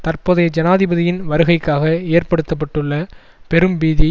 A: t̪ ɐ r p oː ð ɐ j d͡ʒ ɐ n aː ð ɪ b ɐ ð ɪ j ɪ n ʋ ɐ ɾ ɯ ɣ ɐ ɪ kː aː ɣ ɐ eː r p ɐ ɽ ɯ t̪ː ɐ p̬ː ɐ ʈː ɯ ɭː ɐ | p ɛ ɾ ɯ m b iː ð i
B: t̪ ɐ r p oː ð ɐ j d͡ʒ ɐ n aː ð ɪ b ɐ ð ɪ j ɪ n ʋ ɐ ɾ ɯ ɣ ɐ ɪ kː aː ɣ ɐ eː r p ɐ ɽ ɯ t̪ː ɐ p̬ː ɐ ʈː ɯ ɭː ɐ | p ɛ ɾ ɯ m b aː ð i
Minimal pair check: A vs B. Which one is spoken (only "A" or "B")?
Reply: A